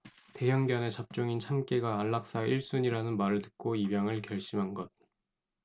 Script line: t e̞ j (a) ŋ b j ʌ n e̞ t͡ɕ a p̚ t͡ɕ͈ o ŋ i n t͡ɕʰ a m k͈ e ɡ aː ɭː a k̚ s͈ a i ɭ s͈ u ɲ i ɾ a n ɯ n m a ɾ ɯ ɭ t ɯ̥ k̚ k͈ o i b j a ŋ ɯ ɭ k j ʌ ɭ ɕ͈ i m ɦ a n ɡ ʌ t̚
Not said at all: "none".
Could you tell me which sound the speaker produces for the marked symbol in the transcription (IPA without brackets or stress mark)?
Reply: ʌ